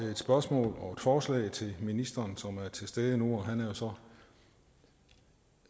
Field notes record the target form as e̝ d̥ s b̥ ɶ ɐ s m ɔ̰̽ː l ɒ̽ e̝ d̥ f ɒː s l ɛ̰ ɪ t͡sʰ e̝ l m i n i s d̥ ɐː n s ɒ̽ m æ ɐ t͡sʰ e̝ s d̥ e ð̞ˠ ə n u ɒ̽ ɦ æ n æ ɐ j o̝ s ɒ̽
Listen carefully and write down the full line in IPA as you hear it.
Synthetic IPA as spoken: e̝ d̥ s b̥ ɶ ɐ s m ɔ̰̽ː l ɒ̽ e̝ d̥ f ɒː s l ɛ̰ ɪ t͡sʰ e̝ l m i n i s d̥ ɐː n s ɒ̽ m æ ɐ t͡sʰ e̝ s d̥ e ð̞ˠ ə n u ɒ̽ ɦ æ n æ ɐ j o̝ s ɒ̽